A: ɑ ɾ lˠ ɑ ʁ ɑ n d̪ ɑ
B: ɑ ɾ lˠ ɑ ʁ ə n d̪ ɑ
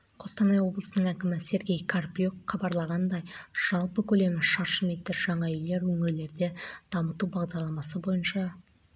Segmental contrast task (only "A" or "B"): A